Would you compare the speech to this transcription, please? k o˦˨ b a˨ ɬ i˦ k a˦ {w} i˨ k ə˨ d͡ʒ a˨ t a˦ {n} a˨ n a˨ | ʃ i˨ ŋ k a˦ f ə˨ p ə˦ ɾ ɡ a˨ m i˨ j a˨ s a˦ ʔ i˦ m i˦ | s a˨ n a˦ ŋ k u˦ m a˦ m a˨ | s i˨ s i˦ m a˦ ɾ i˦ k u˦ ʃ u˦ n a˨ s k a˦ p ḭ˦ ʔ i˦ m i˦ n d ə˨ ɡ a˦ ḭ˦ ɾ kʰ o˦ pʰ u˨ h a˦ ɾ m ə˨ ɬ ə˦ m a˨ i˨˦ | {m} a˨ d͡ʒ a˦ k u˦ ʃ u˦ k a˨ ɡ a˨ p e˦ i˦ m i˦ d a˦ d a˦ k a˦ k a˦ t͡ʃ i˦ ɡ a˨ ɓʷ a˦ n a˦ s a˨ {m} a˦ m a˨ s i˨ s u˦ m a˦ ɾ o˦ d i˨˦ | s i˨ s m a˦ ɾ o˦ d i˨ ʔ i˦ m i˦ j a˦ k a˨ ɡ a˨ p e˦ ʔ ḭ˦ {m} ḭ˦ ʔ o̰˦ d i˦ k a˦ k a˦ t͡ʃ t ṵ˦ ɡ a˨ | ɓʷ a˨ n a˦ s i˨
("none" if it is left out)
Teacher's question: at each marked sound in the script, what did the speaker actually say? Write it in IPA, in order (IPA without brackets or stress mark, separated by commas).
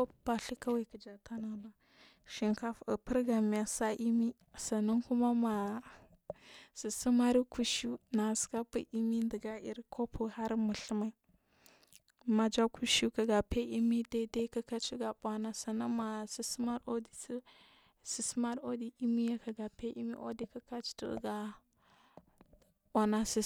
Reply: w, n, m, n, m